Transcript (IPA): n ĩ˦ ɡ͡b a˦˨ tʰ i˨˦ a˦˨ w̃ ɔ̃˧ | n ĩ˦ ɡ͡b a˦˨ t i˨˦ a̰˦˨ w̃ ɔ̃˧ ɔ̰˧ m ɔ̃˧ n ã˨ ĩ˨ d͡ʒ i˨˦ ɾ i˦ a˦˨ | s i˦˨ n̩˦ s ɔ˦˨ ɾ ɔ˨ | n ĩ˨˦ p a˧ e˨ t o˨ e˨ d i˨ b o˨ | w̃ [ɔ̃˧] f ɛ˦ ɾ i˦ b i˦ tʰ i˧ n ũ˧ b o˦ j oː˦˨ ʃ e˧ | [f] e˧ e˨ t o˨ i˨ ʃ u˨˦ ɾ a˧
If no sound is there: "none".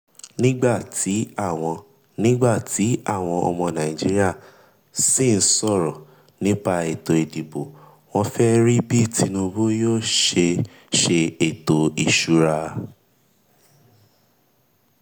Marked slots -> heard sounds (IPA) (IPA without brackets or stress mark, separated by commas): ɔ̃˧, ʃ